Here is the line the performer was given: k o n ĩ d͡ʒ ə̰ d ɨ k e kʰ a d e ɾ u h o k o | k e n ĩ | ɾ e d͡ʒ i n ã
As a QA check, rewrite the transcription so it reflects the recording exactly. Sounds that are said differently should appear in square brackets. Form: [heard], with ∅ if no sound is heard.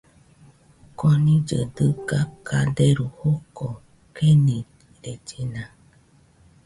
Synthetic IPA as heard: k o n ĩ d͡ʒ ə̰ d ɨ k [a] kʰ a d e ɾ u h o k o | k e n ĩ | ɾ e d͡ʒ i n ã